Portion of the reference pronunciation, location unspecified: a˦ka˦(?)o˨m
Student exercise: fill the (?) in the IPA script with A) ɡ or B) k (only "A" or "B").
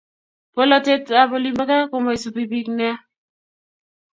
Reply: B